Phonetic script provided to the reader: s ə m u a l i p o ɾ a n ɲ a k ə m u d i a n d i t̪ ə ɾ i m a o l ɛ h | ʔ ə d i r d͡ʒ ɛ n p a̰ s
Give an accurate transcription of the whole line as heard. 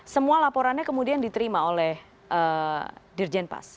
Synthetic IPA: s ə m u a l a p o ɾ a n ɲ a k ə m u d i a n d i t̪ ə ɾ i m a o l ɛ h | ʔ ə d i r d͡ʒ ɛ n p a̰ s